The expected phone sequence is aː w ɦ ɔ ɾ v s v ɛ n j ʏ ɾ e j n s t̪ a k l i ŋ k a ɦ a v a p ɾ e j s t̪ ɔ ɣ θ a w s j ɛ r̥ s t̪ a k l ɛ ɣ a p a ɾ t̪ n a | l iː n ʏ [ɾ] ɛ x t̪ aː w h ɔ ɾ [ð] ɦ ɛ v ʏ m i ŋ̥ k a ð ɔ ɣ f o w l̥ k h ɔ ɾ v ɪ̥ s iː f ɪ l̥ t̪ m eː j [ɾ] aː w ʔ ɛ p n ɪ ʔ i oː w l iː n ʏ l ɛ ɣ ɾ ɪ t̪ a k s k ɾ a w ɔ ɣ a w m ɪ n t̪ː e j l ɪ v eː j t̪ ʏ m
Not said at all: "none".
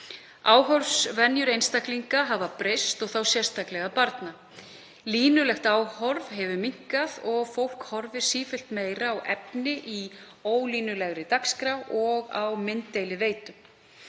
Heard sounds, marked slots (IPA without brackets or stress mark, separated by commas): l, v, ɾ